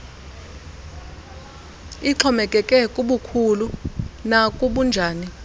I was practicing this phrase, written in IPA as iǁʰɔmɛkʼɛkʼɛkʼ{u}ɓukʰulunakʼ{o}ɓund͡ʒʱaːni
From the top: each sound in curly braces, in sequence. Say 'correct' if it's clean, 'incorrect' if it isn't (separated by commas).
correct, incorrect